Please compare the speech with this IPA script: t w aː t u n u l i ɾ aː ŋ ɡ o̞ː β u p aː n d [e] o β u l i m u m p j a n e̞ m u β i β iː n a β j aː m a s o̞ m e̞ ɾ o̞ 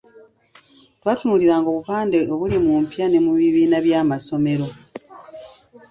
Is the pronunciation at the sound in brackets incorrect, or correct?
correct